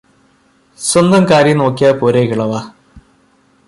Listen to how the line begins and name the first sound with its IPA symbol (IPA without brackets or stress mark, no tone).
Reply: s